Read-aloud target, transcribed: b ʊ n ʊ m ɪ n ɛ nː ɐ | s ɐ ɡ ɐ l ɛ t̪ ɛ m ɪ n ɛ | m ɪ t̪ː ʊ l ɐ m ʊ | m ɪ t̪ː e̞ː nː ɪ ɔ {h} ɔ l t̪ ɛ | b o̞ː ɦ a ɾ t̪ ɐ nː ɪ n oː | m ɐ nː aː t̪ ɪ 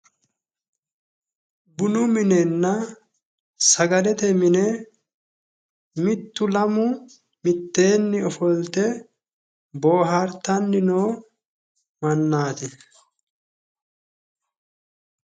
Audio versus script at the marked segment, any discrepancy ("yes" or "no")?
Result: yes